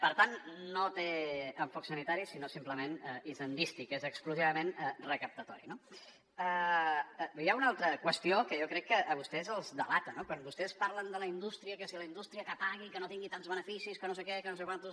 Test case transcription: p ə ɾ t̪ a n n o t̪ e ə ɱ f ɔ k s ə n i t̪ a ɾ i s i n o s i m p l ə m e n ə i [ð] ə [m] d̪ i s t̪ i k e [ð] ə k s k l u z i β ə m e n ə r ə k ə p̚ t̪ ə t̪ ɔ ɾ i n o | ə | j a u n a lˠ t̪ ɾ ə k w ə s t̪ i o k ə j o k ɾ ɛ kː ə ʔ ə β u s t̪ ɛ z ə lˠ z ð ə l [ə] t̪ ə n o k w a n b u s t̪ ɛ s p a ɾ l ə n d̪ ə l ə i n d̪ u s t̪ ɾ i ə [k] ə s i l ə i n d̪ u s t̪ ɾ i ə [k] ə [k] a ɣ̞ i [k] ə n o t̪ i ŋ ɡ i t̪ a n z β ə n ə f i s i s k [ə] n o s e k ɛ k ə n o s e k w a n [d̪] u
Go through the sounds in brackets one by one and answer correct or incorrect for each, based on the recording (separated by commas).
incorrect, incorrect, incorrect, incorrect, correct, correct, incorrect, correct, correct, incorrect